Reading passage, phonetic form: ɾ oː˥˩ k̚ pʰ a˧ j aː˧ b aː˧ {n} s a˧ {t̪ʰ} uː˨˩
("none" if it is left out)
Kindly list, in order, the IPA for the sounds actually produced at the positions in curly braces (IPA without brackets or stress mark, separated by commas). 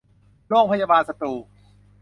n, t̪